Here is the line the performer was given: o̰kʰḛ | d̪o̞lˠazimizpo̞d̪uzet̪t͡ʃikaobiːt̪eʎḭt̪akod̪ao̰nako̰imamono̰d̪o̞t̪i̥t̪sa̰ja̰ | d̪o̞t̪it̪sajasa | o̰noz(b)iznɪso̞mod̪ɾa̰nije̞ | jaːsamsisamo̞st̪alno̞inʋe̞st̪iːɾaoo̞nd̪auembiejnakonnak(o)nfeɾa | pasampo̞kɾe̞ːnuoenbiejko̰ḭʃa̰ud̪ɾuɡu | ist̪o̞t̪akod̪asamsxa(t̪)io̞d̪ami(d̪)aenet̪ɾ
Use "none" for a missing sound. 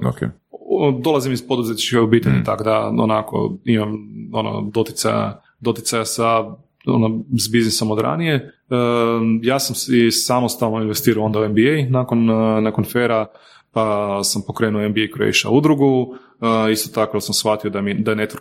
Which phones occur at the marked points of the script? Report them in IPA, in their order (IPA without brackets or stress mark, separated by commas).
b, o, t̪, d̪